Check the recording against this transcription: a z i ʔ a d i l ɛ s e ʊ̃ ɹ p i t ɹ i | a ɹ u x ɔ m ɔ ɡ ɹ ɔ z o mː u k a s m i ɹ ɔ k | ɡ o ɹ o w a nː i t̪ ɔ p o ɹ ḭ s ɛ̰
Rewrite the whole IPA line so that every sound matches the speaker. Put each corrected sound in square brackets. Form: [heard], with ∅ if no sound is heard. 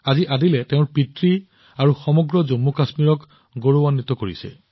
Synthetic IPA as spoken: a z i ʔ a d i l ɛ [t] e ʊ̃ ɹ p i t ɹ i | a ɹ u x ɔ m ɔ ɡ ɹ ɔ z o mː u k a s m i ɹ ɔ k | ɡ o ɹ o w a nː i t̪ ɔ [k] o ɹ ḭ s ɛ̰